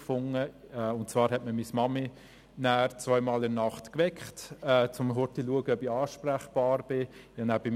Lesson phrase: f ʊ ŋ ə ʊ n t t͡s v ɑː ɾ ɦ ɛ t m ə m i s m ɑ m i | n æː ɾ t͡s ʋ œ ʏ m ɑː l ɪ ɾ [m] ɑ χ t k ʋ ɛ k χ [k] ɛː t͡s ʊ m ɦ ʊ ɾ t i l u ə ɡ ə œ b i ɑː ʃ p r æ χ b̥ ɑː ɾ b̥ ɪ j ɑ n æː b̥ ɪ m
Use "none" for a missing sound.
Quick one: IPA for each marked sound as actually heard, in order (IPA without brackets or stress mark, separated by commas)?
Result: n, t